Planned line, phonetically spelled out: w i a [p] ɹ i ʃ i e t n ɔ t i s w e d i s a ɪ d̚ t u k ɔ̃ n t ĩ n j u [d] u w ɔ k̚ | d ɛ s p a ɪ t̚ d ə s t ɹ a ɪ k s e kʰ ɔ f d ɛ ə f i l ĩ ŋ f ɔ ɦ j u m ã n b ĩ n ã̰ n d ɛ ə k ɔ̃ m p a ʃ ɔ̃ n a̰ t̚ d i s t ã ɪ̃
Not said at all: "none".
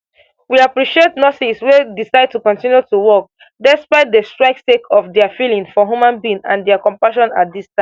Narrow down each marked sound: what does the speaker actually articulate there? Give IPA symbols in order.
p, t

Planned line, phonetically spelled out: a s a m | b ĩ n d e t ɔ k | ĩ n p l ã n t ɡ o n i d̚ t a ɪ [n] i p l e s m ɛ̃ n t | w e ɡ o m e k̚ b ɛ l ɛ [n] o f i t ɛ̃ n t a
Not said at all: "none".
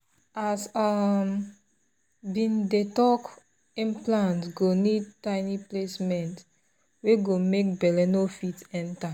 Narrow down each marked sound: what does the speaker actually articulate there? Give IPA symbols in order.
n, n

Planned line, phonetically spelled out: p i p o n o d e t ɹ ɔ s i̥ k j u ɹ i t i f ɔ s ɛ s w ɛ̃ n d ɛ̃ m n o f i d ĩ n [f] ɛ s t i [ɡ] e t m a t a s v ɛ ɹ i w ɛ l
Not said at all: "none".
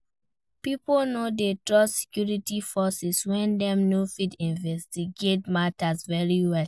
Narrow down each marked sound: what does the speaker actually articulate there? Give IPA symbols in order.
v, ɡ

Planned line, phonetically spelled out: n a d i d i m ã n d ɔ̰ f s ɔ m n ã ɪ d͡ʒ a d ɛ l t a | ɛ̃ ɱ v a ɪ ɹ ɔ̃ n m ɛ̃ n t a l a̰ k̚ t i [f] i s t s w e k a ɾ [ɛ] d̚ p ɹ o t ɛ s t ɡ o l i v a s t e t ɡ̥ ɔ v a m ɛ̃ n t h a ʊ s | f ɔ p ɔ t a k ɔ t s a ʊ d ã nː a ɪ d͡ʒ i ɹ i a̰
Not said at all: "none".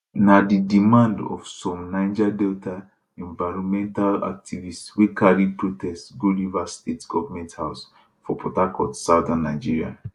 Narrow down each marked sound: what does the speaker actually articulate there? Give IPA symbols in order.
v, i

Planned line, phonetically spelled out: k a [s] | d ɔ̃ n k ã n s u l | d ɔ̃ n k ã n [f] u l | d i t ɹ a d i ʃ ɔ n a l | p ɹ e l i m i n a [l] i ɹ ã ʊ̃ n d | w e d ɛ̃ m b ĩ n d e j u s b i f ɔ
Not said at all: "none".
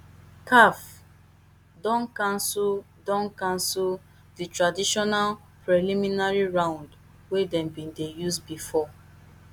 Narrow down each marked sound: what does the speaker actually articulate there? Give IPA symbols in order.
f, s, ɹ

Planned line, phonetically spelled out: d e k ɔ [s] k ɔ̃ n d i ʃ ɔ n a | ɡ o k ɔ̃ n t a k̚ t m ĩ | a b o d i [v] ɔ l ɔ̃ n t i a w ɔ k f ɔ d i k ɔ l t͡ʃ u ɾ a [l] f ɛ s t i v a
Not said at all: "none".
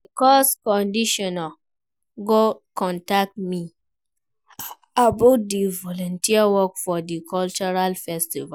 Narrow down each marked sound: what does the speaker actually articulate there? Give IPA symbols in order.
s, v, l

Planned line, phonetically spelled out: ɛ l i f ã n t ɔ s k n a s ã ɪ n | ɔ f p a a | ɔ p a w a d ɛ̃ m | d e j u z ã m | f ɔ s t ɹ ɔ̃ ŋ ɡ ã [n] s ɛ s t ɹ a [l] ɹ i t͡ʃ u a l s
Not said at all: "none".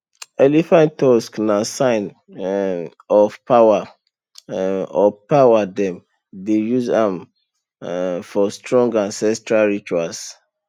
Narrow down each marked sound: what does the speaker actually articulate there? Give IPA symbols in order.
n, l

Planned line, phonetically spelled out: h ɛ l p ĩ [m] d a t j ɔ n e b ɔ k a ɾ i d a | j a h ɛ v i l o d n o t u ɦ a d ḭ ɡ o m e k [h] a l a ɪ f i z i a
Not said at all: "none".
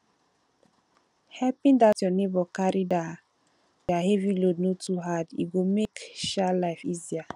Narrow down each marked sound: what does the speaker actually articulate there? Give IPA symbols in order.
n, ʃ

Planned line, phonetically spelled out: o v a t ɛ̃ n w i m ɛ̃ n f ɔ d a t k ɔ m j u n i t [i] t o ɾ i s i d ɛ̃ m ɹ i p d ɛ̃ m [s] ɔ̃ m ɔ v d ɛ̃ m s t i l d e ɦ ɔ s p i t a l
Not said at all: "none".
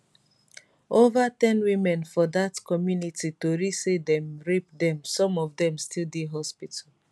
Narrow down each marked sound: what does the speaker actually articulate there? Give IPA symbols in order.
i, s

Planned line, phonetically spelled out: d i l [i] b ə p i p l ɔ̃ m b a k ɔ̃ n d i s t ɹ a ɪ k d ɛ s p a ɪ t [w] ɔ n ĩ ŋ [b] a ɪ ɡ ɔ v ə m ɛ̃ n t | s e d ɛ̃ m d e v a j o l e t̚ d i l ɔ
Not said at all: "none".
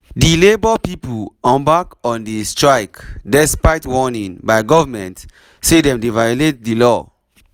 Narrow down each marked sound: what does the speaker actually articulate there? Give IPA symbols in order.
e, w, b

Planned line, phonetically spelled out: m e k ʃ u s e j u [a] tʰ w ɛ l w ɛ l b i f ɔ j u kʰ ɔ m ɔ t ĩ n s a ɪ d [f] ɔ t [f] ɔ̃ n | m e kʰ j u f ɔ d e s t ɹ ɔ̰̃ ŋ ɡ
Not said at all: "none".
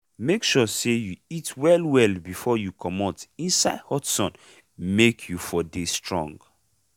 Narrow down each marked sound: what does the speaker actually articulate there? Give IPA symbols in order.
i, h, s

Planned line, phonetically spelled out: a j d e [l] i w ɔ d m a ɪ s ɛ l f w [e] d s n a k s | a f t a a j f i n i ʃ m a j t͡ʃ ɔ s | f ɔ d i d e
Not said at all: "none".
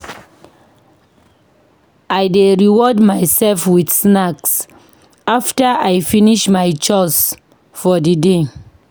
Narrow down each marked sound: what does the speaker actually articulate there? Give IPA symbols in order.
ɹ, i

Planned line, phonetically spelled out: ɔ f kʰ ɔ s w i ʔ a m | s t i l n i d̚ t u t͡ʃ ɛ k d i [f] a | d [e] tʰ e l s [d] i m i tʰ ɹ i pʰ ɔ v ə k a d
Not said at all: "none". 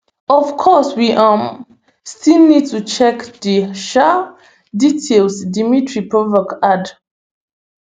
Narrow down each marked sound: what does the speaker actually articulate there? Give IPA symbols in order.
ʃ, i, d

